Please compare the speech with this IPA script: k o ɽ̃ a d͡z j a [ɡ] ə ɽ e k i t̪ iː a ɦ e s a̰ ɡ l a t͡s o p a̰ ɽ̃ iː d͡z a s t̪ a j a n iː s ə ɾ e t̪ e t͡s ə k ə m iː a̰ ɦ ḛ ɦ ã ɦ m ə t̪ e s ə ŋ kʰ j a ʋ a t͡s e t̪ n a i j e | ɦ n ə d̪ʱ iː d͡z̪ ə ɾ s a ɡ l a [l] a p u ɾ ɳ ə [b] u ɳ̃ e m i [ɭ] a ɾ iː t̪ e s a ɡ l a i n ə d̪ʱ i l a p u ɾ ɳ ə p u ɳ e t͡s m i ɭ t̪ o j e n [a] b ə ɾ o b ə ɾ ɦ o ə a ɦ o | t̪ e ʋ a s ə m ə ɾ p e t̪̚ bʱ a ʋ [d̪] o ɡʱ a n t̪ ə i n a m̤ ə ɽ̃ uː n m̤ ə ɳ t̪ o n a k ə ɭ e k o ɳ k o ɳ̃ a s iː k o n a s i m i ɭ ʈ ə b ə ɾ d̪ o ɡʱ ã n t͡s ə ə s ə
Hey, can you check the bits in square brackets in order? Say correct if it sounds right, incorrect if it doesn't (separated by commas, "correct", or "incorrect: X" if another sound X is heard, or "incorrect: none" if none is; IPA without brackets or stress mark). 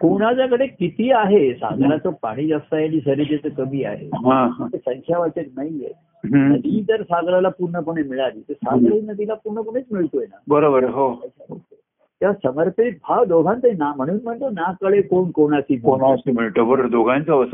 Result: incorrect: k, correct, incorrect: p, correct, correct, correct